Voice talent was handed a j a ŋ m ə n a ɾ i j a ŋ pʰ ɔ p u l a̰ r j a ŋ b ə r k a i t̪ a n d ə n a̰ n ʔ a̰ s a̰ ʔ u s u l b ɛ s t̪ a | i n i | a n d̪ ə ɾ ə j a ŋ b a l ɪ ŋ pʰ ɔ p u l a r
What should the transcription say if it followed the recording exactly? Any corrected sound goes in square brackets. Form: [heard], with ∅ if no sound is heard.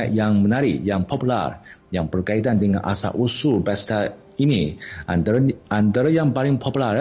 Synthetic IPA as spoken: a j a ŋ m ə n a ɾ i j a ŋ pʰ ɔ p u l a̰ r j a ŋ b ə r k a i t̪ a n d ə [ŋ] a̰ n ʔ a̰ s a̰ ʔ u s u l b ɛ s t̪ a | i n i | a n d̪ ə ɾ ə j a ŋ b a l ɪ ŋ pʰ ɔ p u l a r